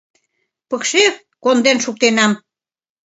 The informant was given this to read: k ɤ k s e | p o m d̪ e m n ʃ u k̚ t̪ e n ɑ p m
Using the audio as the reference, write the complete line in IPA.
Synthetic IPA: p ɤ k ʃ e | k o n d̪ e n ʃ u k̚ t̪ e n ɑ m

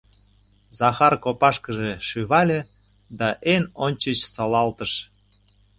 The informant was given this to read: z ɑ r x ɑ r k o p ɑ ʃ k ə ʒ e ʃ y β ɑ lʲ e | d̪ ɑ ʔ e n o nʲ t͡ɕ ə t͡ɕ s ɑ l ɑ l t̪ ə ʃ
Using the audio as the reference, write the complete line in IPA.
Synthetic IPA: z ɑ x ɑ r k o p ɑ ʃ k ə ʒ e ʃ y β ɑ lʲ e | d̪ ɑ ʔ e n o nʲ t͡ɕ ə t͡ɕ s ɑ l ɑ l t̪ ə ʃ

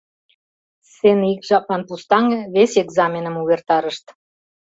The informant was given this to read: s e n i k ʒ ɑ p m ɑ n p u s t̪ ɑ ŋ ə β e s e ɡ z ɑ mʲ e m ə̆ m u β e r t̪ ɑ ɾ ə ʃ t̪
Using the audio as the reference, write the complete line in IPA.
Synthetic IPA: s e n i k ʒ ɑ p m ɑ n p u s t̪ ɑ ŋ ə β e s e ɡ z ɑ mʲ e n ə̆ m u β e r t̪ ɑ ɾ ə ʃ t̪

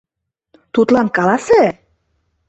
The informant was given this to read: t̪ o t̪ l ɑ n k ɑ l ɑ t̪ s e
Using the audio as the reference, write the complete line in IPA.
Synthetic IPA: t̪ u t̪ l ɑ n k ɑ l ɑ s e

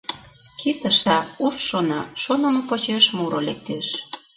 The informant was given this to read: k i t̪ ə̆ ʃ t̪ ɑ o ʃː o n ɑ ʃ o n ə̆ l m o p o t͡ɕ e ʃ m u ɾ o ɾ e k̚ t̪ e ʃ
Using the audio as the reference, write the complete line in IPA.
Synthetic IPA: k i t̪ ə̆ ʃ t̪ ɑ u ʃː o n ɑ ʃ o n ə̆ m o p o t͡ɕ e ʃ m u ɾ o l e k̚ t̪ e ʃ

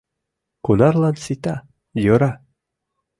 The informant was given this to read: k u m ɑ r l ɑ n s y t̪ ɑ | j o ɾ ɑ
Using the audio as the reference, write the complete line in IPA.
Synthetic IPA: k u n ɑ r l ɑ n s i t̪ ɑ | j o ɾ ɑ

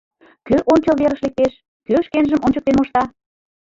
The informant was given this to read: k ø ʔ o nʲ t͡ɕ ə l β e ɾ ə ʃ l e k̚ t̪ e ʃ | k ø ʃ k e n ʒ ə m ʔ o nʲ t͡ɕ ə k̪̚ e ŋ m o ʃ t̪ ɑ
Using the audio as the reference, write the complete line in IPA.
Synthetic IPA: k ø ʔ o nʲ t͡ɕ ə l β e ɾ ə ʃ l e k̚ t̪ e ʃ | k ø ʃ k e n ʒ ə m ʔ o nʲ t͡ɕ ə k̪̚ e n m o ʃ t̪ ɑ

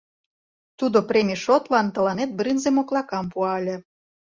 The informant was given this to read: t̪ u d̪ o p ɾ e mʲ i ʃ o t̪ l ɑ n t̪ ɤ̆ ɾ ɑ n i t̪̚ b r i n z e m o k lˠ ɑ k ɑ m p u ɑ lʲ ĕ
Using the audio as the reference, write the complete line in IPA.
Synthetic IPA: t̪ u d̪ o p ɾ e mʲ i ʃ o t̪ l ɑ n t̪ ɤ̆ l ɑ n e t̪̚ b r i n z e m o k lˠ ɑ k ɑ m p u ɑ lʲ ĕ

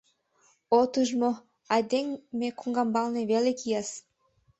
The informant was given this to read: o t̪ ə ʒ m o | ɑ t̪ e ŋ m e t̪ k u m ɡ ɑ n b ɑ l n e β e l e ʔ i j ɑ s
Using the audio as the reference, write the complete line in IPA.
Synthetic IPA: o t̪ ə ʒ m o | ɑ d̪ e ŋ m e k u ŋ ɡ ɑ m b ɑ l n e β e l e k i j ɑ s

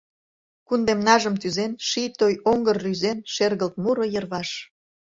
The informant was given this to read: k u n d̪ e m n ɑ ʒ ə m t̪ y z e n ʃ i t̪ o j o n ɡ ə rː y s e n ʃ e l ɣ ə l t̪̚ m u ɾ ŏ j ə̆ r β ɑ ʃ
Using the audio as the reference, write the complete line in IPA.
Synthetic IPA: k u n d̪ e m n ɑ ʒ ə m t̪ y z e n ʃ i t̪ o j o ŋ ɡ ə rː y z e n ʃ e r ɣ ə l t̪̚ m u ɾ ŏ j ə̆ r β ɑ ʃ

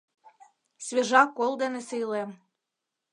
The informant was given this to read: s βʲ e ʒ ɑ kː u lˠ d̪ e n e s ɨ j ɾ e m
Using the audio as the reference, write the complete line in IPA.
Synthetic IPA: s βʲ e ʒ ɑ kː o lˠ d̪ e n e s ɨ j l e m

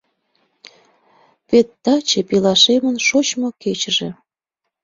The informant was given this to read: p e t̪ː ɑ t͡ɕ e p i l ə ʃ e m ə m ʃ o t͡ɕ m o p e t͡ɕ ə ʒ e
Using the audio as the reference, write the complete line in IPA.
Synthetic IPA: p e t̪ː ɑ t͡ɕ e p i l ɑ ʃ e m ə n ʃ o t͡ɕ m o k e t͡ɕ ə ʒ e

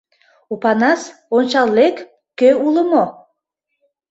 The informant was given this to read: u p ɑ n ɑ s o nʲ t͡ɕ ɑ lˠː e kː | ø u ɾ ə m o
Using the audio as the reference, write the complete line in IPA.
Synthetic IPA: u p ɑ n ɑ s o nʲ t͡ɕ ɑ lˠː e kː | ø u l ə m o

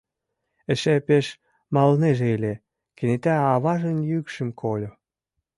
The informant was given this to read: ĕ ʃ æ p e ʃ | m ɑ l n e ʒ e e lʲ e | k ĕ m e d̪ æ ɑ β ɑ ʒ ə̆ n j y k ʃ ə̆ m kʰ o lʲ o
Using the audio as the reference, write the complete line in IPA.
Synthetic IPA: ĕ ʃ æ p e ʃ | m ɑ l n e ʒ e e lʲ e | k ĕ n e t̪ æ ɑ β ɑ ʒ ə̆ n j y k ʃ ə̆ m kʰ o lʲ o

